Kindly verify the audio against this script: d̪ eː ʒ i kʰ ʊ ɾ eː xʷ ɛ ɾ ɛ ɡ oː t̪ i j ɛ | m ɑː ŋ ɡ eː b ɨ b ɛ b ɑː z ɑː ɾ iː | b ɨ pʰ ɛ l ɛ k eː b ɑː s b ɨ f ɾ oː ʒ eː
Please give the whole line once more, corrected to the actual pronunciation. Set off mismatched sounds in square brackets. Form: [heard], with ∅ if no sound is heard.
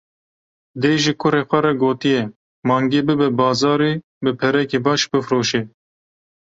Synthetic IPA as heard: d̪ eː ʒ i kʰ ʊ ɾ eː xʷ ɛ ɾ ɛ ɡ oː t̪ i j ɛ | m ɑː ŋ ɡ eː b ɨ b ɛ b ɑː z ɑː ɾ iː | b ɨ pʰ ɛ [ɾ] ɛ k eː b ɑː [ʃ] b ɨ f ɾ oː [ʃ] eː